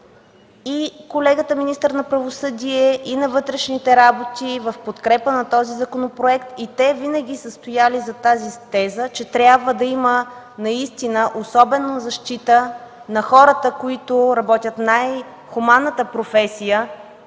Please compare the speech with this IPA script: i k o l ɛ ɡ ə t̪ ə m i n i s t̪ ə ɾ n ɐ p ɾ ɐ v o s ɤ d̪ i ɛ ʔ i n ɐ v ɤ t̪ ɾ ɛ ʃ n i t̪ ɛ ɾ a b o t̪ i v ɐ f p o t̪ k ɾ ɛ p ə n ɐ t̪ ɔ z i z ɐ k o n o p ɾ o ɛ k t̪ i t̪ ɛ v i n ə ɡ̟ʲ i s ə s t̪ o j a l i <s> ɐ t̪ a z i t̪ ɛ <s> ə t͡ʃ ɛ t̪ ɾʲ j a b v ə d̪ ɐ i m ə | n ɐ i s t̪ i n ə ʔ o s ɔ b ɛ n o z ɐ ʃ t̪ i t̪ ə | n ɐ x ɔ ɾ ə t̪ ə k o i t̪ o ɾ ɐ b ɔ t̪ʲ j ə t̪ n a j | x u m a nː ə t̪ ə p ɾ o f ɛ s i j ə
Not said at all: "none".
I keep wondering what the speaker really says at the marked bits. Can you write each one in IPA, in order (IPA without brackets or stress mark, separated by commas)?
z, z